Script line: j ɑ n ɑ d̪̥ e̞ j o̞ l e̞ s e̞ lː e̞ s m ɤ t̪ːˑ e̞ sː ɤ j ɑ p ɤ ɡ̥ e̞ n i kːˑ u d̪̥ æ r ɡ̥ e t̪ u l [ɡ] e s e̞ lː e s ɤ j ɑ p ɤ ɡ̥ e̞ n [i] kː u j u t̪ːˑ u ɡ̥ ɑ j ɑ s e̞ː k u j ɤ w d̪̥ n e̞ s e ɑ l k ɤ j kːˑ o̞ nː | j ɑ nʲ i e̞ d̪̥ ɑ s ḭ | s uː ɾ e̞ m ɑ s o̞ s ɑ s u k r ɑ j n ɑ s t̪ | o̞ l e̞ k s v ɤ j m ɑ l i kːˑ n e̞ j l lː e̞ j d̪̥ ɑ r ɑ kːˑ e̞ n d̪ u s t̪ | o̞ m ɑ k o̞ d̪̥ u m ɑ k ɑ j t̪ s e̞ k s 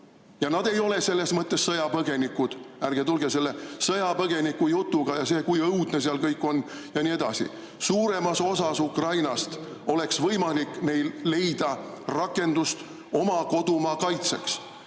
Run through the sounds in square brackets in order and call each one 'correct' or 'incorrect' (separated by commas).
correct, correct